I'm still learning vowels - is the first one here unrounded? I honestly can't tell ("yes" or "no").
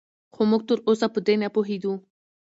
no